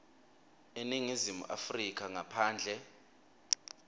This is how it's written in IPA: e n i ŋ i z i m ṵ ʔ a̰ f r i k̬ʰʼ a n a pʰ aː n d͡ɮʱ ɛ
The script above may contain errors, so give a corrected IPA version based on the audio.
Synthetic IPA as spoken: e n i ŋ i z i m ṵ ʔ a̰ f r i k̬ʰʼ a ŋ a pʰ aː n d͡ɮʱ ɛ

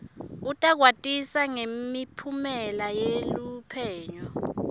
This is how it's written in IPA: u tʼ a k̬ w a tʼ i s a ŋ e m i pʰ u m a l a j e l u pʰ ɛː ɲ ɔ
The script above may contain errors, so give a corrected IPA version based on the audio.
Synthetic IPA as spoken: u tʼ a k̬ w a tʼ i s a ŋ e m i pʰ u m ɛ l a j e l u pʰ ɛː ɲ ɔ

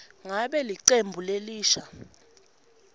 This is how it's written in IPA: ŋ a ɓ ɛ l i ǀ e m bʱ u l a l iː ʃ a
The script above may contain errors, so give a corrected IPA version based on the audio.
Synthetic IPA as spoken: ŋ a ɓ ɛ l i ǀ e m bʱ u l e l iː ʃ a

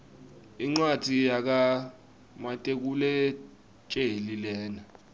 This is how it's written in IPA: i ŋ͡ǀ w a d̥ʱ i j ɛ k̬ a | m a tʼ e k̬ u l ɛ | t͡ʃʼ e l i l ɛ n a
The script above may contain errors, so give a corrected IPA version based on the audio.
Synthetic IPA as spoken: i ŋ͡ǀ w a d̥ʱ i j a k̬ a | m a tʼ e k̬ u l ɛ | t͡ʃʼ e l i l ɛː n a

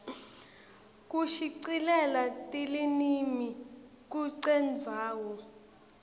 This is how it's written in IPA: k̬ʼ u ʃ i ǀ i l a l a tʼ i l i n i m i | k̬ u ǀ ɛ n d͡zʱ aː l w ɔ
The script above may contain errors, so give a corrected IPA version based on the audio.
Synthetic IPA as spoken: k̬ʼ u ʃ i ǀ i l ɛ l a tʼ i l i n i m i | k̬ u ǀ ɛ n d͡zʱ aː w ɔ

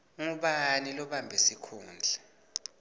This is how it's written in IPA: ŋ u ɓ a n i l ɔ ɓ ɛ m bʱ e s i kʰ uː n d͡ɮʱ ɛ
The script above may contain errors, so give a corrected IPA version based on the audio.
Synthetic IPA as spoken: ŋ u ɓ a n i l ɔ ɓ a m bʱ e s i kʰ uː n d͡ɮʱ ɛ

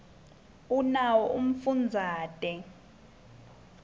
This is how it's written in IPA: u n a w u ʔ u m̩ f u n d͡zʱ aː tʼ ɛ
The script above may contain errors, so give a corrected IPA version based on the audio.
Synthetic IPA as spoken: u n a w ɔ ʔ u m̩ f u n d͡zʱ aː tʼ ɛ

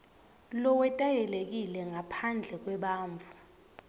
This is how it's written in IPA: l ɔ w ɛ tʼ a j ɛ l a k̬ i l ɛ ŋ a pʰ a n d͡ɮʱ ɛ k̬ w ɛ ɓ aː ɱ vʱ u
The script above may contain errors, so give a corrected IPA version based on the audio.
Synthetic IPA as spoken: l ɔ w ɛ tʼ a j ɛ l e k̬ i l ɛ ŋ a pʰ a n d͡ɮʱ ɛ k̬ w ɛ ɓ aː ɱ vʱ u

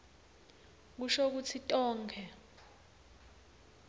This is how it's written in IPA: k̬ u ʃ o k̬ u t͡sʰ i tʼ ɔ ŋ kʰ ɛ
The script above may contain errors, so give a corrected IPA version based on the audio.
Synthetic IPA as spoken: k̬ u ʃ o k̬ u t͡sʰ i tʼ ɔː ŋ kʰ ɛ

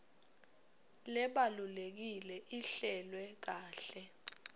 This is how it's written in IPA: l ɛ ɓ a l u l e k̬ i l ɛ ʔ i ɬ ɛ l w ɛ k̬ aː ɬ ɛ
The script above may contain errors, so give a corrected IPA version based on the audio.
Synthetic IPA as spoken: l ɛ ɓ a l u l e k̬ i l ɛ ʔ i ɬ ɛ l w ɛ k̬ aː ɬ ɛ

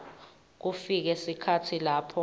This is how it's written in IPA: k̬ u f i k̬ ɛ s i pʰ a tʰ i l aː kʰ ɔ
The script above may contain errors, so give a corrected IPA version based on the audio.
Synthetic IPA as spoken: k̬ u f i k̬ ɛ s i kʰ a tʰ i l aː pʰ ɔ

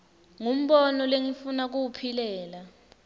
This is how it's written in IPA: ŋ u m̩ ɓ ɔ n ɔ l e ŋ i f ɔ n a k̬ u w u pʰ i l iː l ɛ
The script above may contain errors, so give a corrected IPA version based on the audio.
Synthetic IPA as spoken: ŋ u m̩ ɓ ɔ n ɔ l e ŋ i f u n a k̬ u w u pʰ i l ɛː l a

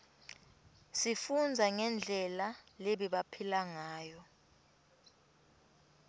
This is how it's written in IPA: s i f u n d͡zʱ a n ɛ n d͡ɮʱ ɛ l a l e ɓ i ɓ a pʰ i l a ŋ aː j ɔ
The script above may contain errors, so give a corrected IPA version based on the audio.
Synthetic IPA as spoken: s i f u n d͡zʱ a ŋ ɛ n d͡ɮʱ ɛ l a l e ɓ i ɓ a pʰ i l a ŋ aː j ɔ

